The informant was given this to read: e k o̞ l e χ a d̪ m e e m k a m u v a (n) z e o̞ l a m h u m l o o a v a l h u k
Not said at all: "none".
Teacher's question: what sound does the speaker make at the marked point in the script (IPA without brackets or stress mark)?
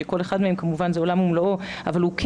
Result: n